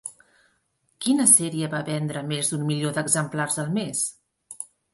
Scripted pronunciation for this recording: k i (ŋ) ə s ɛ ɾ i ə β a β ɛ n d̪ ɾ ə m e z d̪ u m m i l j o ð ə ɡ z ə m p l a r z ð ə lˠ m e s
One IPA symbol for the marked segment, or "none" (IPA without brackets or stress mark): n